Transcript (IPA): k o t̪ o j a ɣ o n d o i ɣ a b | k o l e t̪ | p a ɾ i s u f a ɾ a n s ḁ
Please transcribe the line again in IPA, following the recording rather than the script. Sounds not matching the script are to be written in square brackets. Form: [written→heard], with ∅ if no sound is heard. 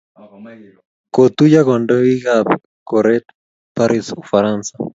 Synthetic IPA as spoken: k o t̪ [o→u] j a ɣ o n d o i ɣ a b | k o [l→ɾ] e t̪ | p a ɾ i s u f a ɾ a n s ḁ